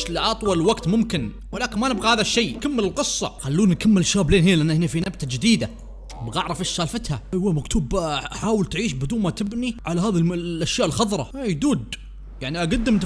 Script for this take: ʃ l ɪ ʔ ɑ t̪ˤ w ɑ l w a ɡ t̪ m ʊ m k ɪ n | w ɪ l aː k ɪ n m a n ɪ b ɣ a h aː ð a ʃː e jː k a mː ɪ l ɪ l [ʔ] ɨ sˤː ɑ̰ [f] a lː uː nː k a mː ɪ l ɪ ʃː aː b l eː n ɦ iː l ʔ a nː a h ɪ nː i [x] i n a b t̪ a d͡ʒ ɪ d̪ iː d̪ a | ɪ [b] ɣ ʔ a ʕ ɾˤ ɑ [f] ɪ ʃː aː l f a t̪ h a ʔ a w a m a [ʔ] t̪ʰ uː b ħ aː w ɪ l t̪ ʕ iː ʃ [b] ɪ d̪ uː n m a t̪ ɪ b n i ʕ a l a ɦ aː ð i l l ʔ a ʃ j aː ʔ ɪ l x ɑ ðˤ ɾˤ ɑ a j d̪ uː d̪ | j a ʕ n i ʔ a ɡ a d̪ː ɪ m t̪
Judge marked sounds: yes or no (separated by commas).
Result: no, no, no, yes, yes, no, yes